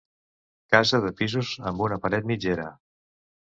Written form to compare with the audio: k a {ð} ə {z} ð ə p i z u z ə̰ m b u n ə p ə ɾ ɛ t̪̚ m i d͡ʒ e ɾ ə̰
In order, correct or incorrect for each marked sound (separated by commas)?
incorrect, incorrect